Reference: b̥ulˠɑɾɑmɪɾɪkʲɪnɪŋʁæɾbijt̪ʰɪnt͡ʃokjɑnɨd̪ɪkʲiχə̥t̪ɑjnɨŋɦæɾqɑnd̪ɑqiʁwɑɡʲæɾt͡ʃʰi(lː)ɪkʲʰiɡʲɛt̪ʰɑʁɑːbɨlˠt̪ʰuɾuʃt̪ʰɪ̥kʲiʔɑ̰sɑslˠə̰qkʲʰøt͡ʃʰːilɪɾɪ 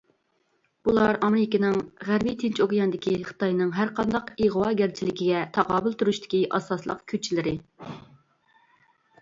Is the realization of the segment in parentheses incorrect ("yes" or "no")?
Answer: yes